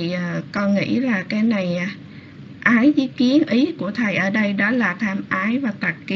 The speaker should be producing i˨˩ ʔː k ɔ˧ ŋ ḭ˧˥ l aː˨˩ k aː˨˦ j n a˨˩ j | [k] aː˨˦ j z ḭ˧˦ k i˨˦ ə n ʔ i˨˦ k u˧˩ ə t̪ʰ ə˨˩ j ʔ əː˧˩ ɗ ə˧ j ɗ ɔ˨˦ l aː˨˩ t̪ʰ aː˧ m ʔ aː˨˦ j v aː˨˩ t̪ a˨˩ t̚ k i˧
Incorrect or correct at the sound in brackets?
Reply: incorrect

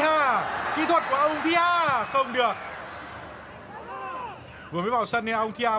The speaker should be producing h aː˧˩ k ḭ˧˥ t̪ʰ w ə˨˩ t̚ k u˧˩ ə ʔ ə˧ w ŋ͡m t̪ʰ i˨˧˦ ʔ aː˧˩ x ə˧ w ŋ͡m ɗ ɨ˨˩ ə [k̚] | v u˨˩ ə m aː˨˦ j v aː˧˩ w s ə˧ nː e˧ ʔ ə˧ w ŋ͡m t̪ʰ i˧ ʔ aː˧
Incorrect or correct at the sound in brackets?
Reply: correct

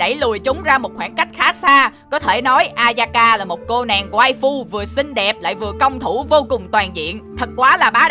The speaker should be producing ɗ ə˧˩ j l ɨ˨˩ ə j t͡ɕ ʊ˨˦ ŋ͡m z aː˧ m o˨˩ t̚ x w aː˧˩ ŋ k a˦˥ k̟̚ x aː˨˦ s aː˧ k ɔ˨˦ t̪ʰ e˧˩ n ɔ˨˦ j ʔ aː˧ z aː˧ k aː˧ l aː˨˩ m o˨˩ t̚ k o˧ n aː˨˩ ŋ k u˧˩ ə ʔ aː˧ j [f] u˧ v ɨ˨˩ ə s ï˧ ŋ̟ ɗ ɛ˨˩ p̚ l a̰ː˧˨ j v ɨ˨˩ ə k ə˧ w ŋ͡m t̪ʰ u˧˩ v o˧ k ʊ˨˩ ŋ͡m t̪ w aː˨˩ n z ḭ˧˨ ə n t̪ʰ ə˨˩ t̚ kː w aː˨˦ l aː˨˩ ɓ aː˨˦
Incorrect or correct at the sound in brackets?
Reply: correct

